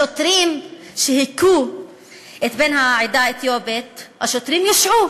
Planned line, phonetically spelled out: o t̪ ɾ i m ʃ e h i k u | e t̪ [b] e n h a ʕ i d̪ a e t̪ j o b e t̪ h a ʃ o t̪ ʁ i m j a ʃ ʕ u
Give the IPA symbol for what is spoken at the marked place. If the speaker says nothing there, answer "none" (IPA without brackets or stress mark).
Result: b